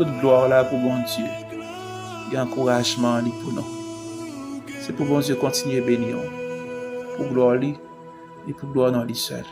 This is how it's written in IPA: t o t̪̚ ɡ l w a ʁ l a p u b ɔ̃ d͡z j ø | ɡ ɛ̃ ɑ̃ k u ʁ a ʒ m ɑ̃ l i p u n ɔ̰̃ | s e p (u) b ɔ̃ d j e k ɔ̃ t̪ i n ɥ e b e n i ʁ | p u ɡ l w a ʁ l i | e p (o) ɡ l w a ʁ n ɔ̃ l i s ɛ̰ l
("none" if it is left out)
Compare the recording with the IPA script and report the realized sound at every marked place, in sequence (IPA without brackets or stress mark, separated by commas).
u, u